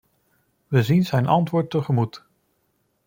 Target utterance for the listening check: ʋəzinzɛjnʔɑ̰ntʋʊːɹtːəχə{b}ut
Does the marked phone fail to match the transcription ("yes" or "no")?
yes